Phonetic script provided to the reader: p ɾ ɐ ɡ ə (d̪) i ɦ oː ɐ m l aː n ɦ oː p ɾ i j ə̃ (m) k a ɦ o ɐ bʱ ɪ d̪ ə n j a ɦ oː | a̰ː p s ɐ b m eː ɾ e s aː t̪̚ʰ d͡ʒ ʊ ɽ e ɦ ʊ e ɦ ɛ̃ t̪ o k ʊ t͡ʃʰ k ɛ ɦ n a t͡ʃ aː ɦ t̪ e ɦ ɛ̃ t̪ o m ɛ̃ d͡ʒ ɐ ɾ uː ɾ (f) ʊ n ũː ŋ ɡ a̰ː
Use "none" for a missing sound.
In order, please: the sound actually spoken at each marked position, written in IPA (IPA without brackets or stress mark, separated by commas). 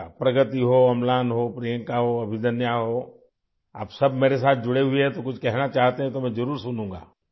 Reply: t̪, ŋ, s